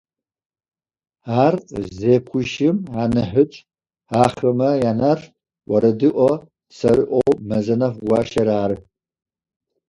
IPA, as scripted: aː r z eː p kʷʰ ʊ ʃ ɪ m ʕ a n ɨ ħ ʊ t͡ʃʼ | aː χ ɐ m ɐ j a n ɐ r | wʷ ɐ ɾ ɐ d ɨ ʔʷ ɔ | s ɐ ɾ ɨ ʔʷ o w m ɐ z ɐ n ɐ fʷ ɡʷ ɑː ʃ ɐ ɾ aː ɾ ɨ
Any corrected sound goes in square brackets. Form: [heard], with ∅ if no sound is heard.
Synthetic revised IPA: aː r z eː p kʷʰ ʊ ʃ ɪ m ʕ a n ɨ ħ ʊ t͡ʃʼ | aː χ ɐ m ɐ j a n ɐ r | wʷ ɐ ɾ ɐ d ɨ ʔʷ ɔ | s ɐ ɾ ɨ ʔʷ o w m ɐ z ɐ n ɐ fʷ ɡʷ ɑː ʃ ɐ ɾ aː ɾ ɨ